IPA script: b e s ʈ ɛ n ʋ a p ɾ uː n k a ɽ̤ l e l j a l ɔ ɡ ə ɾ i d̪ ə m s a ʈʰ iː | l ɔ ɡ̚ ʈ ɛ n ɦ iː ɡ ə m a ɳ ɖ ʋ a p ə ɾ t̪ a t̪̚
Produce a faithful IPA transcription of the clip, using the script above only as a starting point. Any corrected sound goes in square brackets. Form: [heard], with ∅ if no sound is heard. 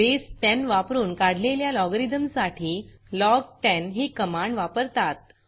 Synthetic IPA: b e s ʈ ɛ n ʋ a p ɾ uː n k a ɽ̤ l e l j a l ɔ ɡ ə ɾ i d̪ ə m s a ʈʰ iː | l ɔ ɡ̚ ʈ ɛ n ɦ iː [k] ə m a ɳ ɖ ʋ a p ə ɾ t̪ a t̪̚

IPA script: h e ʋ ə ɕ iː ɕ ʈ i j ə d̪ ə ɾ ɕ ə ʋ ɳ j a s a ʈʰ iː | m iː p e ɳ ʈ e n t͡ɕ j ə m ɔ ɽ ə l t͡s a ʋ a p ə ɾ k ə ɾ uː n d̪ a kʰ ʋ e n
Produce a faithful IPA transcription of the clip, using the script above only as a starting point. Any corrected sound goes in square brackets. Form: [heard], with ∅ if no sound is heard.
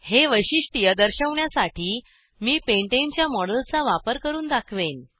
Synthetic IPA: h e ʋ ə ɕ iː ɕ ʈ i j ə d̪ ə ɾ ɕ ə ʋ ɳ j a s a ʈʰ iː | m iː p e ɳ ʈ e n t͡ɕ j [a] m ɔ ɽ ə l t͡s a ʋ a p ə ɾ k ə ɾ uː n d̪ a kʰ ʋ e n

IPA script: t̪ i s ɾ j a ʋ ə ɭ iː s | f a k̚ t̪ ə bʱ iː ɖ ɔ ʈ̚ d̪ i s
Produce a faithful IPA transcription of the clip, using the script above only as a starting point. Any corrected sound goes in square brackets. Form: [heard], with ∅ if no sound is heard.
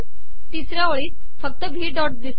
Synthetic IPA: t̪ i s ɾ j a ʋ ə ɭ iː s | f [ə] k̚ t̪ ə bʱ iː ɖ ɔ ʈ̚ d̪ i s

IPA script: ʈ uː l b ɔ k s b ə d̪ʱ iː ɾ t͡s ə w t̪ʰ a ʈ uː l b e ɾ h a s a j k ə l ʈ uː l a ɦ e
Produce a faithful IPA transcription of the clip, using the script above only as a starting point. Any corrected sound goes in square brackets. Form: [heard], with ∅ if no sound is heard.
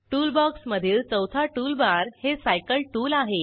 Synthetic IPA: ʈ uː l b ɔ k s [m] ə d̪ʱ iː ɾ t͡s ə w t̪ʰ a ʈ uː l b [a] ɾ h [e] s a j k ə l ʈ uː l a ɦ e

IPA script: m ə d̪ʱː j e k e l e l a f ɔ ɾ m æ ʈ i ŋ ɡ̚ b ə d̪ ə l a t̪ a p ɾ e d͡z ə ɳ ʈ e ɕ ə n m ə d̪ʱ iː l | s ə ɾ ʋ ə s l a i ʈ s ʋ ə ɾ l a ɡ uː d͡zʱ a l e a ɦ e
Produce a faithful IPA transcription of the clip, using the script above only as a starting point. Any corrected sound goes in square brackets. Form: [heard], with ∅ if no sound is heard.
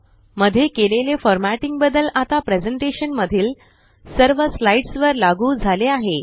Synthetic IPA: m ə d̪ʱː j e k e l e l [e] f ɔ ɾ m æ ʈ i ŋ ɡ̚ b ə d̪ ə l a t̪ a p ɾ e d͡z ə ɳ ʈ e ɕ ə n m ə d̪ʱ iː l | s ə ɾ ʋ ə s l a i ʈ s ʋ ə ɾ l a ɡ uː d͡zʱ a l e a ɦ e

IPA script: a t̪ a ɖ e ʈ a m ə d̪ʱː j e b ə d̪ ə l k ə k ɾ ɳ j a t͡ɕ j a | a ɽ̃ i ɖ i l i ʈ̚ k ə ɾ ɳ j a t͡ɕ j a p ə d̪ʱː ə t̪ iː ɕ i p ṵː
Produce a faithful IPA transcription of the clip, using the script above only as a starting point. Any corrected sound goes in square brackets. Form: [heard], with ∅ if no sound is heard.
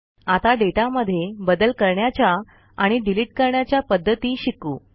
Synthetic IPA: a t̪ a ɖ e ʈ a m ə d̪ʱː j e b ə d̪ ə l k ə [∅] ɾ ɳ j a t͡ɕ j a | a ɽ̃ i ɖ i l i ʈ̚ k ə ɾ ɳ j a t͡ɕ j a p ə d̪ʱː ə t̪ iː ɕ i [k] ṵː

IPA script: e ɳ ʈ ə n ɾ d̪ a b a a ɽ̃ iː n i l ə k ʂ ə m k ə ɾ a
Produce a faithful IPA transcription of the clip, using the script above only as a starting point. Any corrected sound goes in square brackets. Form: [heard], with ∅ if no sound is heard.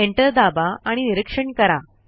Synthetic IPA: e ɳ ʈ ə [∅] ɾ d̪ a b a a ɽ̃ [i] n i [ɾ] ə k ʂ ə [ɳ] k ə ɾ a

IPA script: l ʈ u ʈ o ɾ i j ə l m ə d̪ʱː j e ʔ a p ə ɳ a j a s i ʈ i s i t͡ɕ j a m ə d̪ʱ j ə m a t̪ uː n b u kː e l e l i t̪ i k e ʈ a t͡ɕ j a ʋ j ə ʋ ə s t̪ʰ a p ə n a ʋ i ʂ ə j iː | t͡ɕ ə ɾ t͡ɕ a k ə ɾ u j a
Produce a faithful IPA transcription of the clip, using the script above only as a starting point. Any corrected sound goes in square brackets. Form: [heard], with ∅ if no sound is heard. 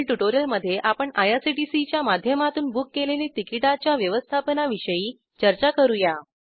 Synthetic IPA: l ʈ u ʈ o ɾ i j ə l m ə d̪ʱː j e ʔ a p ə ɳ a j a s i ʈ i s i t͡ɕ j a m [a] d̪ʱ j ə m a t̪ uː n b u kː e l e l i t̪ i k [i] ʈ a t͡ɕ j a ʋ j ə ʋ ə s t̪ʰ a p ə n a ʋ i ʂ ə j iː | t͡ɕ ə ɾ t͡ɕ a k ə ɾ u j a

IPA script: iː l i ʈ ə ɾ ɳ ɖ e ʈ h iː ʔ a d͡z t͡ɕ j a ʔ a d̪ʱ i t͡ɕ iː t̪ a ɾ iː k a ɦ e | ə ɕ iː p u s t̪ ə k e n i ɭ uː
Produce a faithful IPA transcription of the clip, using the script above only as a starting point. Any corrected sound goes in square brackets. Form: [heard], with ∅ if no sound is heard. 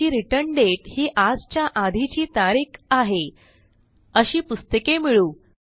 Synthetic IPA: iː [ɾ] i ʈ ə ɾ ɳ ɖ e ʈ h iː ʔ a d͡z t͡ɕ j a ʔ a d̪ʱ i t͡ɕ iː t̪ a ɾ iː k a ɦ e | ə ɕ iː p u s t̪ ə k e [m] i ɭ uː

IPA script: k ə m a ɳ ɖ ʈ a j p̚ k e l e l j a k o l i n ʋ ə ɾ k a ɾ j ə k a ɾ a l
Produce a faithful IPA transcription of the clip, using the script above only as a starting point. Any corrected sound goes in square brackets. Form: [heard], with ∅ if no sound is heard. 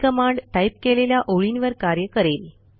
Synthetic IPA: k ə m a ɳ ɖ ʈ a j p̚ k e l e l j a [ʔ] o [ɭ] i n ʋ ə ɾ k a ɾ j ə k [ə] ɾ [e] l

